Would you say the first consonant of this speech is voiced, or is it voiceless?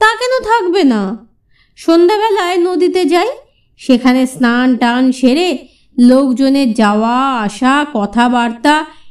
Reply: voiceless